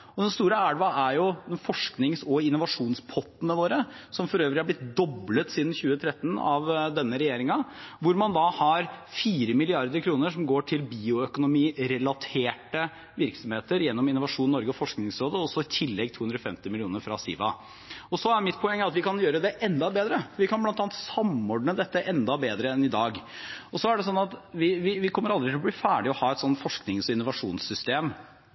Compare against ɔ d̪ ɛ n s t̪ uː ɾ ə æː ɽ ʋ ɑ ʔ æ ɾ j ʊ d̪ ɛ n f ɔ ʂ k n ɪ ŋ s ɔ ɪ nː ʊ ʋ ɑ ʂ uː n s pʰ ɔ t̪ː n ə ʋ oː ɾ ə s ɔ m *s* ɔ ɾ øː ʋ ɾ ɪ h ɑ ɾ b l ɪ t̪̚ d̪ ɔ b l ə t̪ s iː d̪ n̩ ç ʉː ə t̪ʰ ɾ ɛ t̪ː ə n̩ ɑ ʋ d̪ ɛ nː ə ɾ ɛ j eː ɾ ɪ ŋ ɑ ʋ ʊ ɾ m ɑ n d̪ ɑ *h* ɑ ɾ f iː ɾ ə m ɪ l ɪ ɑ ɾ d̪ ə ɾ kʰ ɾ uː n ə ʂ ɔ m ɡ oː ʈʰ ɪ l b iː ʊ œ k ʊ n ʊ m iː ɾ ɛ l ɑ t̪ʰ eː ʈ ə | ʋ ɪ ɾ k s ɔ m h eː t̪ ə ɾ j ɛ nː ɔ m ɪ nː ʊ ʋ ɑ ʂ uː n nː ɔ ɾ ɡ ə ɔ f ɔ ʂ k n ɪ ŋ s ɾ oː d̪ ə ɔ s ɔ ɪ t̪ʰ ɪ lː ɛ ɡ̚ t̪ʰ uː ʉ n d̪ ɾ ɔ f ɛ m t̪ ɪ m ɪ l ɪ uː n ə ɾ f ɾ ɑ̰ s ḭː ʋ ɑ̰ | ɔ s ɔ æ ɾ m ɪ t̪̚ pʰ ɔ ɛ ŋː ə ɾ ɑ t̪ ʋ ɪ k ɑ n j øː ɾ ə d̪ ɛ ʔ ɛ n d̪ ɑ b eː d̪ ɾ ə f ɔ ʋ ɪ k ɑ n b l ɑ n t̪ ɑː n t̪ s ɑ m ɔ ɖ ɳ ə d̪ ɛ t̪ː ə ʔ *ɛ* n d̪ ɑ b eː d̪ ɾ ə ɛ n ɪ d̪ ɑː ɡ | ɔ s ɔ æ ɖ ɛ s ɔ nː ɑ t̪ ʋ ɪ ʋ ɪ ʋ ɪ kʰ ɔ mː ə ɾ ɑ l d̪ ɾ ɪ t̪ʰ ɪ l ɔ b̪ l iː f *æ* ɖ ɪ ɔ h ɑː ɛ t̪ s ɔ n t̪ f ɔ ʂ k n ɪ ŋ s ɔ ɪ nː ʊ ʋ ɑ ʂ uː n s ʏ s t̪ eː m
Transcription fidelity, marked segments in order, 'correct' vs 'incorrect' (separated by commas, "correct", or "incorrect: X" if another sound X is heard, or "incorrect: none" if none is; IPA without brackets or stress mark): incorrect: f, correct, correct, incorrect: æː